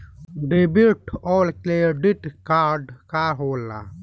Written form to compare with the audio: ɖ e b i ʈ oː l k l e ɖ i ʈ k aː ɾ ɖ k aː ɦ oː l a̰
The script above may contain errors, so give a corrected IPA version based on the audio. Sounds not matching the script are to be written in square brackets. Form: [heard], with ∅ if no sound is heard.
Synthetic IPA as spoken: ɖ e b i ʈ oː l k l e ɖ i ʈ k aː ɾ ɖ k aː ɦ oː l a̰